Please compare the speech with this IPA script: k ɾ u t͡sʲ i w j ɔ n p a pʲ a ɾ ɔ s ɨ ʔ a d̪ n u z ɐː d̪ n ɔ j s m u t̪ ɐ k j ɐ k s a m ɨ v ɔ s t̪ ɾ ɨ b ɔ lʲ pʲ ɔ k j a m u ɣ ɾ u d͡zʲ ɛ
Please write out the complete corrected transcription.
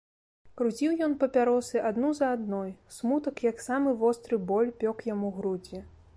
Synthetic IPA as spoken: k ɾ u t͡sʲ i w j ɔ n p ɐ pʲ a ɾ ɔ s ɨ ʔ a d̪ n u z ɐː d̪ n ɔ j s m u t̪ ɐ k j ɐ k s a m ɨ v ɔ s t̪ ɾ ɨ b ɔ lʲ pʲ ɔ k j a m u ɣ ɾ u d͡zʲ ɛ